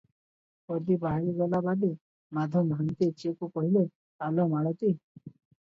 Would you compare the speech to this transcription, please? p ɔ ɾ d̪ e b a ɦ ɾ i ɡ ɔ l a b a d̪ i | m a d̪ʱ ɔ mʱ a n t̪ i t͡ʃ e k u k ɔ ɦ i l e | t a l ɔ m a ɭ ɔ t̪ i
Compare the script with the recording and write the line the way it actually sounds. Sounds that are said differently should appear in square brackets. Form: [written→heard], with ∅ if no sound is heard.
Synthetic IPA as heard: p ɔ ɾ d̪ [e→i] b a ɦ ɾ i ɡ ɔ l a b a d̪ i | m a d̪ʱ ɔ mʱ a n t̪ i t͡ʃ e k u k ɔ ɦ i l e | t a l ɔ m a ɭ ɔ t̪ i